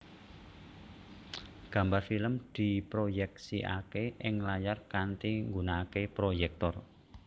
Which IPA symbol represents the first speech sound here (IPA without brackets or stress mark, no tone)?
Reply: ɡ̥